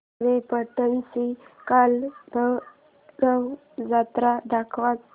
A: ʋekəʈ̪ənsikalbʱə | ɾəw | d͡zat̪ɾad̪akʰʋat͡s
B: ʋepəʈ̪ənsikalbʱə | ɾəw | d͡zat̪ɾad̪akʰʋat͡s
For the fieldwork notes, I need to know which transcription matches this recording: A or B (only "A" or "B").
B